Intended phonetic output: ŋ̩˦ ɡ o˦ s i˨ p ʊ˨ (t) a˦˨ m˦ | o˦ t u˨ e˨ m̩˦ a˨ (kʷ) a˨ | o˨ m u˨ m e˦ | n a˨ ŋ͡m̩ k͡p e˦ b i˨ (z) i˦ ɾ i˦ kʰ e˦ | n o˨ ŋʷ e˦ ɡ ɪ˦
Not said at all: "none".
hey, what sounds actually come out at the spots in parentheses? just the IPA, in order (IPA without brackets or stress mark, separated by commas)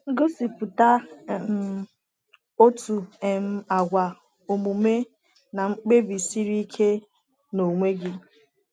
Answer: t, ɡʷ, s